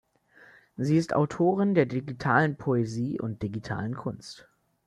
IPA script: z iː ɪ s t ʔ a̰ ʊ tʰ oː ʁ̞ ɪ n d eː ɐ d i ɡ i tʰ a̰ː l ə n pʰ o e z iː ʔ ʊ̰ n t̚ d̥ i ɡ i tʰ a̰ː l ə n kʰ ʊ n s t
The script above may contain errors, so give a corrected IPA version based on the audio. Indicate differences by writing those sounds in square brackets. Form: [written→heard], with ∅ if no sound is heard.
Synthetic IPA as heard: z iː ɪ s t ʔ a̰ ʊ tʰ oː ʁ̞ ɪ n d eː ɐ d i ɡ i tʰ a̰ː l ə n pʰ o e z iː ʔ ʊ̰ n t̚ d̥ i ɡ i tʰ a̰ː l ə n kʰ ʊ n s t